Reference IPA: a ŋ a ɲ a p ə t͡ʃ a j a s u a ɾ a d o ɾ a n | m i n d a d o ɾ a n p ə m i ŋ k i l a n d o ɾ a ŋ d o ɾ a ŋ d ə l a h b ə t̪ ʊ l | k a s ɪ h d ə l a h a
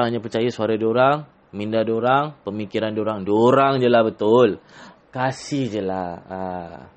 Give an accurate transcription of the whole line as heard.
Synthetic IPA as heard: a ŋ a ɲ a p ə t͡ʃ a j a s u a ɾ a d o ɾ a ŋ | m i n d a d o ɾ a ŋ p ə m i k i ɾ a n d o ɾ a ŋ d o ɾ a ŋ d͡ʒ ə l a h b ə t̪ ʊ l | k a s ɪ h d͡ʒ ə l a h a